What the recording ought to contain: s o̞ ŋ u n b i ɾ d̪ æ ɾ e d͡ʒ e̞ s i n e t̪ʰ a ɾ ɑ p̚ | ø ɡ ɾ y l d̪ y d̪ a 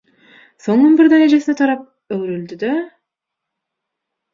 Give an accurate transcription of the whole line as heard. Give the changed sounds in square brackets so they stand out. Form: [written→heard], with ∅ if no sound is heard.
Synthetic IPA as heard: s o̞ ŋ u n b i ɾ d̪ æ ɾ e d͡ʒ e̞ s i n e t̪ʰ [a→ɑ] ɾ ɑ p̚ | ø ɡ ɾ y l d̪ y d̪ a